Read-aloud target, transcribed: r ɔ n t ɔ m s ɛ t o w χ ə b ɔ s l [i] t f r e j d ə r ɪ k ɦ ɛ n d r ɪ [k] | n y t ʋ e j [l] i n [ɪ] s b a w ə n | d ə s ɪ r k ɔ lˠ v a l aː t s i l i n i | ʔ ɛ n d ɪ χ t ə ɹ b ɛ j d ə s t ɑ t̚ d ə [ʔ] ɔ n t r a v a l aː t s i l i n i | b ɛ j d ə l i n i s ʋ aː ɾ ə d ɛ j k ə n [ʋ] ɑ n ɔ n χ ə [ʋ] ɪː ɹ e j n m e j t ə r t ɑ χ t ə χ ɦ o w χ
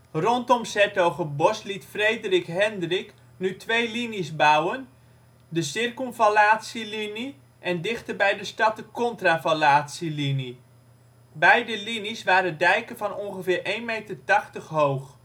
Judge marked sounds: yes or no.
yes, yes, yes, no, no, no, no

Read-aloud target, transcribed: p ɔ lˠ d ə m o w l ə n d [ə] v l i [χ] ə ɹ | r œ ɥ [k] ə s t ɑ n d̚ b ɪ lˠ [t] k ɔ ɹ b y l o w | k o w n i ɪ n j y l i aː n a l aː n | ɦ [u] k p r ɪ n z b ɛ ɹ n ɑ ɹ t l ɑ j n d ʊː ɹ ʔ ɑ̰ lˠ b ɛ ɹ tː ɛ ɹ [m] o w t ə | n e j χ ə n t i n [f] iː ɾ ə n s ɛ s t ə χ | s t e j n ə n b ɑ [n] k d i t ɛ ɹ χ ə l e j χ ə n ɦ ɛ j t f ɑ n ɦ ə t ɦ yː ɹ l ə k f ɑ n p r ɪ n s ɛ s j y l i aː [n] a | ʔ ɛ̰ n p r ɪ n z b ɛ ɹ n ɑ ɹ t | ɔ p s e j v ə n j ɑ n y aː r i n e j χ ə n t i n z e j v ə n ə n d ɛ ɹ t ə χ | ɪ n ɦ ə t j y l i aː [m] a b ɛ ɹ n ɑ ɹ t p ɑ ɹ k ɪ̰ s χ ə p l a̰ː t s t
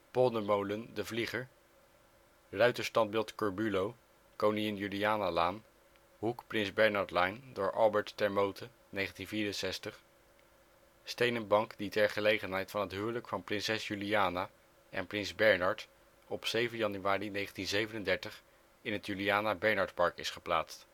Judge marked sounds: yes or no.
yes, yes, no, yes, yes, yes, no, no, yes, no

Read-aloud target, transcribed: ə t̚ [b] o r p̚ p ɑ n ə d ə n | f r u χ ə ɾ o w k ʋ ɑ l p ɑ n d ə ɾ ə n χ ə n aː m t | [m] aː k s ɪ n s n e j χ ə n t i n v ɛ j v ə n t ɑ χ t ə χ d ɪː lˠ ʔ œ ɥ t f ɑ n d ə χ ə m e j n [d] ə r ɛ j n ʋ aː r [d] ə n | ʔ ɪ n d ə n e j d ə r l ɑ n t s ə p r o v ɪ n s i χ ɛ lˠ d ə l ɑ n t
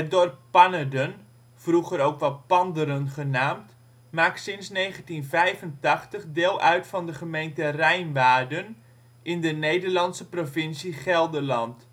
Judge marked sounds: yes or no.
no, yes, no, yes

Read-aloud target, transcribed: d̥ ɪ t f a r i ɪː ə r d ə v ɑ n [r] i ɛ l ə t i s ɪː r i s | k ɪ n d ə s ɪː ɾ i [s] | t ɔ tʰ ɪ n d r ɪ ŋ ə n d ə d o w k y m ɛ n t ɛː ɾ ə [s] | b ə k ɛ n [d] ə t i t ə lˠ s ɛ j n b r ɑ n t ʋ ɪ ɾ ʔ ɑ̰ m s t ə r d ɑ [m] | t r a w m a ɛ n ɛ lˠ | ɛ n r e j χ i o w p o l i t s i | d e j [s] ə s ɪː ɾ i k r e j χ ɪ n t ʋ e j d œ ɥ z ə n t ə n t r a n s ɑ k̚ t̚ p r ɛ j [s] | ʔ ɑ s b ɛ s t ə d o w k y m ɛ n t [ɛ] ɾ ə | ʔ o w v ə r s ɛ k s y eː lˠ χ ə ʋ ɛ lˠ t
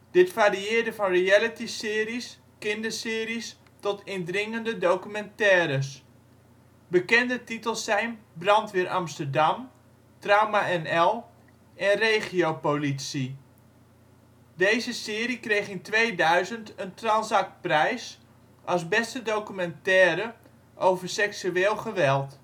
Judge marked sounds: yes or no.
yes, yes, yes, yes, yes, no, yes, no

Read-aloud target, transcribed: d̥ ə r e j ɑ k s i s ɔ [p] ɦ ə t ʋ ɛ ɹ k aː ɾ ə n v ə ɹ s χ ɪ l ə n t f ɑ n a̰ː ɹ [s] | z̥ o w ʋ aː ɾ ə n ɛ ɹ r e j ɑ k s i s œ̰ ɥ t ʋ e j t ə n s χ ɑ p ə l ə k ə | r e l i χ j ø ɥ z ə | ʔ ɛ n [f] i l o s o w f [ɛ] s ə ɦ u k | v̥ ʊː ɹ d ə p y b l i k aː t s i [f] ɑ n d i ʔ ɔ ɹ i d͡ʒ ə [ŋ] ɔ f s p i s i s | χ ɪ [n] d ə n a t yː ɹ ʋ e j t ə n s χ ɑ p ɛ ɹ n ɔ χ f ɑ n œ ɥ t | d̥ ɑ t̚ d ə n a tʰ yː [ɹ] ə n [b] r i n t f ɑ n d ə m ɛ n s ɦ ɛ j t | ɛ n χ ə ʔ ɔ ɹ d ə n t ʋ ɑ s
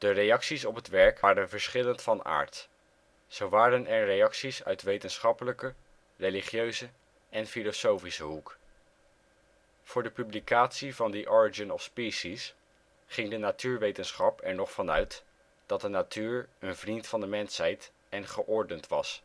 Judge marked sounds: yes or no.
yes, no, yes, no, no, no, no, yes, no

